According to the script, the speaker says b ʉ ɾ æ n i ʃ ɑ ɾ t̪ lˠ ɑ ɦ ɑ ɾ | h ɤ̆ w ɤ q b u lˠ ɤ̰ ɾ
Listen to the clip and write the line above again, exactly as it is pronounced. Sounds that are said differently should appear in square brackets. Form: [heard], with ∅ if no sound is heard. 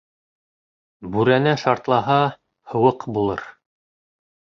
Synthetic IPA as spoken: b ʉ ɾ æ n [æ] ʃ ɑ ɾ t̪ lˠ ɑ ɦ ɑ [∅] | h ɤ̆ w ɤ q b u lˠ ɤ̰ ɾ

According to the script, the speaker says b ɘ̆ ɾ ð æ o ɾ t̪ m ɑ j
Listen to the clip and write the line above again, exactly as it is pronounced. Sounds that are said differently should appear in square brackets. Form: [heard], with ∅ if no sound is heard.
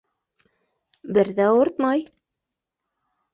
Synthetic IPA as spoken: b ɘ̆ ɾ ð æ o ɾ t̪ m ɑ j

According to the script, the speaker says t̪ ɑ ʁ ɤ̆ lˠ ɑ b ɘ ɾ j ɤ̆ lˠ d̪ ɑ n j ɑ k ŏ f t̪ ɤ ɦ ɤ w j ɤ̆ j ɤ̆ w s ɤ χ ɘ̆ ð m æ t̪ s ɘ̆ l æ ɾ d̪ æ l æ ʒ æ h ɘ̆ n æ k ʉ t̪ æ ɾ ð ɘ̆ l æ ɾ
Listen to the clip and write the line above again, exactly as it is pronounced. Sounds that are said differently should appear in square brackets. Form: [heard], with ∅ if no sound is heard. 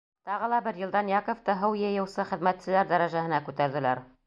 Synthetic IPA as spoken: t̪ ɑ ʁ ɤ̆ lˠ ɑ b ɘ ɾ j ɤ̆ lˠ d̪ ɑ n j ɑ k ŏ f t̪ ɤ ɦ ɤ w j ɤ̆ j ɤ̆ w s ɤ χ ɘ̆ ð m æ t̪ s ɘ̆ l æ ɾ d̪ æ [ɾ] æ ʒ æ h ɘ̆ n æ k ʉ t̪ æ ɾ ð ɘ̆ l æ ɾ

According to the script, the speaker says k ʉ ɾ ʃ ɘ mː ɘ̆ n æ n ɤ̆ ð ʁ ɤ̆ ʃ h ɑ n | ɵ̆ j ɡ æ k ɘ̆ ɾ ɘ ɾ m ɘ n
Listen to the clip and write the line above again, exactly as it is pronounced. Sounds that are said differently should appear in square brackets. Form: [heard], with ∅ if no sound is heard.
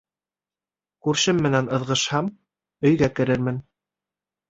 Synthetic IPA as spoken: k ʉ ɾ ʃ ɘ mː ɘ̆ n æ n ɤ̆ ð ʁ ɤ̆ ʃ h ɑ [m] | ɵ̆ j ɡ æ k ɘ̆ ɾ ɘ ɾ m ɘ n

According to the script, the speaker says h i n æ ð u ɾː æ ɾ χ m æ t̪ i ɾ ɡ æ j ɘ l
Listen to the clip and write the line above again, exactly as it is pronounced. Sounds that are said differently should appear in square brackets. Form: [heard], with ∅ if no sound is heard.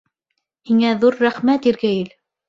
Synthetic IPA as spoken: h i [ŋ] æ ð u ɾː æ [∅] χ m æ t̪ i ɾ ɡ æ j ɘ l

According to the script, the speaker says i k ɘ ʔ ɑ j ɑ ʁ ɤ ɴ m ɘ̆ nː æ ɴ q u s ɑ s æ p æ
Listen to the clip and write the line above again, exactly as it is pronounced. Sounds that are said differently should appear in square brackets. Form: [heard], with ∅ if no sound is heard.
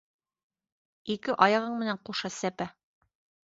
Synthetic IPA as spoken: i k ɘ ʔ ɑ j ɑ ʁ ɤ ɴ m ɘ̆ [n] æ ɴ q u [ʃ] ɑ s æ p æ

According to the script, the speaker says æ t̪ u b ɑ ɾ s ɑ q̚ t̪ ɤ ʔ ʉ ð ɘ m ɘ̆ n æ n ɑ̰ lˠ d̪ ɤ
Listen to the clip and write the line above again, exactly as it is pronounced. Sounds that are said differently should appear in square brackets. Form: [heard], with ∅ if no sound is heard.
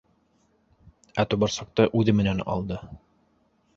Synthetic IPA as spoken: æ t̪ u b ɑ ɾ s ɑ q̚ t̪ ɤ ʔ ʉ ð ɘ m ɘ̆ n æ n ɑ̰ lˠ d̪ ɤ

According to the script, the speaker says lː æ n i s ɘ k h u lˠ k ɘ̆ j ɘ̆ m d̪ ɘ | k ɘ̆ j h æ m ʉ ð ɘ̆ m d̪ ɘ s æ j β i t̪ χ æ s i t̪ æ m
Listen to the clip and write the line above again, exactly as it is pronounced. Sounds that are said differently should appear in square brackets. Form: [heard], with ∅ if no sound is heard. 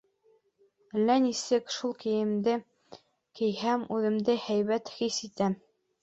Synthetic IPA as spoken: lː æ n i s ɘ k [ʃ] u lˠ k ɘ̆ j ɘ̆ m d̪ ɘ | k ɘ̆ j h æ m ʉ ð ɘ̆ m d̪ ɘ [h] æ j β [æ] t̪ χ [i] s i t̪ æ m

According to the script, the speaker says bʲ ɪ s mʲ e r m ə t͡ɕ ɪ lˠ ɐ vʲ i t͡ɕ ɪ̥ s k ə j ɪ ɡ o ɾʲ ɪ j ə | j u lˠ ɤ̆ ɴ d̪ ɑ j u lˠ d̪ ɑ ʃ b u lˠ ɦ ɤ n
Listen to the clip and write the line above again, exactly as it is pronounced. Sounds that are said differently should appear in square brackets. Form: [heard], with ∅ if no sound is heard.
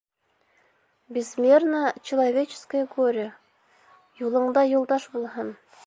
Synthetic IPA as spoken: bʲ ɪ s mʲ e r [n] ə t͡ɕ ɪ lˠ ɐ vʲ [e] t͡ɕ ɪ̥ s k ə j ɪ ɡ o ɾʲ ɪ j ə | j u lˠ ɤ̆ ɴ d̪ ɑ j u lˠ d̪ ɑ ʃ b u lˠ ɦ ɤ n

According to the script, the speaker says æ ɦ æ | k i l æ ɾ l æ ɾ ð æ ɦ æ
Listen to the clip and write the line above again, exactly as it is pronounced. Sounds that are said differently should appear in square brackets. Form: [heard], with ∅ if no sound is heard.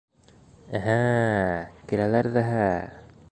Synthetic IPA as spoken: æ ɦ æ | k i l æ [∅] l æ ɾ ð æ ɦ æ

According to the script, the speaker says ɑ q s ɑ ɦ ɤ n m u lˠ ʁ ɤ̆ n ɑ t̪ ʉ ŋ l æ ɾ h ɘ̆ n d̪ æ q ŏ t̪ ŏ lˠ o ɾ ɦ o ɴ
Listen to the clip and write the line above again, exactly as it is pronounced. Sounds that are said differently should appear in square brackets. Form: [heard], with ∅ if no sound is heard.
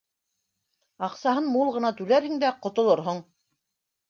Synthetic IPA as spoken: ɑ q s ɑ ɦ ɤ n m u lˠ ʁ ɤ̆ n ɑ t̪ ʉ [∅] l æ ɾ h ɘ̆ [ŋ] d̪ æ q ŏ t̪ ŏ lˠ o ɾ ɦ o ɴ

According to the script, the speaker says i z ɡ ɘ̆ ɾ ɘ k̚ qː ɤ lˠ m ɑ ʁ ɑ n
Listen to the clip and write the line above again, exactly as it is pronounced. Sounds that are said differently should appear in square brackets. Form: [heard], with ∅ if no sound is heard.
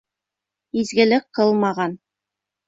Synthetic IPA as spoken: i z ɡ ɘ̆ [l] ɘ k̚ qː ɤ lˠ m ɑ ʁ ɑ n

